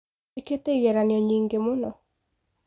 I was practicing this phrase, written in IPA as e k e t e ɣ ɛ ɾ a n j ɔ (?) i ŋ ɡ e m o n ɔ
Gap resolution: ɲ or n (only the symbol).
ɲ